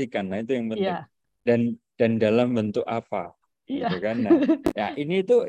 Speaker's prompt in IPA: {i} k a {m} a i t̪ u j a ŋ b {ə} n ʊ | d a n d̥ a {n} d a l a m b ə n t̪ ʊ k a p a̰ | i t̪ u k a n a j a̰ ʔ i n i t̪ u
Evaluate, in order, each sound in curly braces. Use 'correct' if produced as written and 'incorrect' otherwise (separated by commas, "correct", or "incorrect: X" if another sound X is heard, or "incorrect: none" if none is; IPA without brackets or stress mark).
correct, incorrect: n, correct, correct